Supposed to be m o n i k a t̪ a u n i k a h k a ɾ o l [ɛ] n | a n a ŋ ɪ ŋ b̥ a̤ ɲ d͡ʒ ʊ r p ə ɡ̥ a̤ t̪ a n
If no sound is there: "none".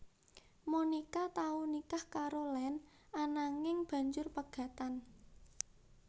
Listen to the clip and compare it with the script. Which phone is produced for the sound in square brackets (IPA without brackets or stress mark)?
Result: ɛ